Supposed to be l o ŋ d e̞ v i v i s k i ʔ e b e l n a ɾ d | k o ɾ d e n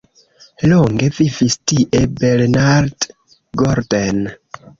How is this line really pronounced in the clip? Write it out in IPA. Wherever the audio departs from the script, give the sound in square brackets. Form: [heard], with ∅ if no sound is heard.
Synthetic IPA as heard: l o ŋ [ɡ] e̞ v i v i s [t] i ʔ e b e l n a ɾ d | [ɡ] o ɾ d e n